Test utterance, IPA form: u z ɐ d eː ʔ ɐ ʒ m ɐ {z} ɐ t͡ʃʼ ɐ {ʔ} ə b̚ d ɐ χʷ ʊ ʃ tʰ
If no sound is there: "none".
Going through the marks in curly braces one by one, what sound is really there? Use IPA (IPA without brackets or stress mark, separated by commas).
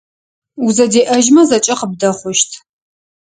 z, q